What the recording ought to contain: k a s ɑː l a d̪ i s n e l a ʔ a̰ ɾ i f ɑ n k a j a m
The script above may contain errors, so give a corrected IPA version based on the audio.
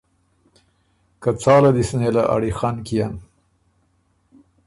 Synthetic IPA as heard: k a t͡s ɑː l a d̪ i s n e l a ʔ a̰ ɽ i x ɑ n k i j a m